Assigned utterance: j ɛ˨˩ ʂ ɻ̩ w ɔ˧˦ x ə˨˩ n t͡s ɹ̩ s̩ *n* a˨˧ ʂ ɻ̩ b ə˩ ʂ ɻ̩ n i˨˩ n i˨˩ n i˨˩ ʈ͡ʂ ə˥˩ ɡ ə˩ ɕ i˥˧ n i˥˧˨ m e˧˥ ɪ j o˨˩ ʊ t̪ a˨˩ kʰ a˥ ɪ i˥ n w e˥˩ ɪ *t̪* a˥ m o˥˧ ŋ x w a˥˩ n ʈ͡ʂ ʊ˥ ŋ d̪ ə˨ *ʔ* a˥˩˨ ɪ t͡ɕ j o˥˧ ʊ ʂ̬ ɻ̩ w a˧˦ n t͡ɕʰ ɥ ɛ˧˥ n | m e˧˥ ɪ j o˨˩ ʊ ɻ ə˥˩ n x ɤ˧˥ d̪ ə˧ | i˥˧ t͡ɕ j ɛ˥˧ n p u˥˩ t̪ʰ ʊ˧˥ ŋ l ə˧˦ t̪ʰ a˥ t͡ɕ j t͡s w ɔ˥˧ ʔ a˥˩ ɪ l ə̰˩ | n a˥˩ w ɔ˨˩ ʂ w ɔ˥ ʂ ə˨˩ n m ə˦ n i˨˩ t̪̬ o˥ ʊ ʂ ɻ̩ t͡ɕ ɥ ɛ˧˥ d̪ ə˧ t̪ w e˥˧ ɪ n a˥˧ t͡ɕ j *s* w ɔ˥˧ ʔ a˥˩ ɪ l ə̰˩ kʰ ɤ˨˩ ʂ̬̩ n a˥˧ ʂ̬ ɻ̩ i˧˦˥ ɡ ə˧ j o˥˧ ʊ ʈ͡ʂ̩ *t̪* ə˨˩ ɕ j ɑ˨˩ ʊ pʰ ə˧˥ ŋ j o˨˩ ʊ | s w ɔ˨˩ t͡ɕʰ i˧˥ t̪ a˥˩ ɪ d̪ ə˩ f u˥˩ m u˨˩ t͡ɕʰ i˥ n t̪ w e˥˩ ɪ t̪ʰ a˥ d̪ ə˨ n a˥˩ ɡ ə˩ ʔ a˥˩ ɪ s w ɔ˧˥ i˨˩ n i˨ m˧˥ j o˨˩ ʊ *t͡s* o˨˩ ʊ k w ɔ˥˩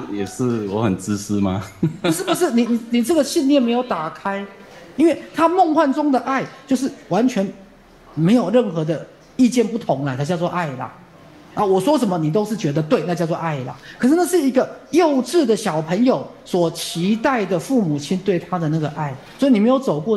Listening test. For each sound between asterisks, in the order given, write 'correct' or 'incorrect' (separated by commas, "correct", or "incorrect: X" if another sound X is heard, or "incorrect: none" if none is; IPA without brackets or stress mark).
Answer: incorrect: m, incorrect: t̪ʰ, correct, incorrect: t͡s, incorrect: d̪, correct